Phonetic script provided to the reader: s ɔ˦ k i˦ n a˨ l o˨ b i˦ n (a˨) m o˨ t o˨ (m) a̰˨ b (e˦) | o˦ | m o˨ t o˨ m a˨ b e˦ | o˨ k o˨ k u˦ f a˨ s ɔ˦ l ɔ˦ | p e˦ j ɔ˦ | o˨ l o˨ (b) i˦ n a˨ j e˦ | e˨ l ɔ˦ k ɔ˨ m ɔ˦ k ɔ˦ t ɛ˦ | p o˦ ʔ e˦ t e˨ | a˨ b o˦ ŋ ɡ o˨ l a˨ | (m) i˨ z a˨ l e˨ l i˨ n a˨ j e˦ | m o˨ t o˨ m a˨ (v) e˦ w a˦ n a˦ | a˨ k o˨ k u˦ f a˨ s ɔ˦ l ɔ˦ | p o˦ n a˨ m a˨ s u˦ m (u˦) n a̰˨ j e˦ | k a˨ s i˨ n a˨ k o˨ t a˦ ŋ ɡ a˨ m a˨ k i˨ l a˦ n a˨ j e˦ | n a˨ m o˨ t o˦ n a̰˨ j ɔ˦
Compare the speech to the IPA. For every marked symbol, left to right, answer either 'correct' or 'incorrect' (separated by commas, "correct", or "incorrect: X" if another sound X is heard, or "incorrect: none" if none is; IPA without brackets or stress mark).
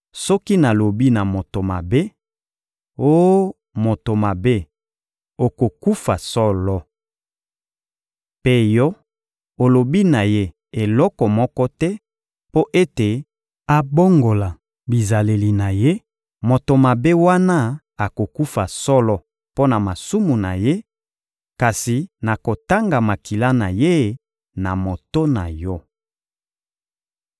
correct, correct, correct, correct, incorrect: b, incorrect: b, incorrect: u˨